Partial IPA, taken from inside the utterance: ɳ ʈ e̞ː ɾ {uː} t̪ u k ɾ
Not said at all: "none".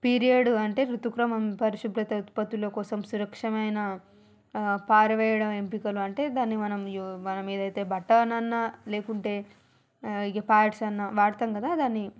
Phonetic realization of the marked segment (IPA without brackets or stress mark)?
u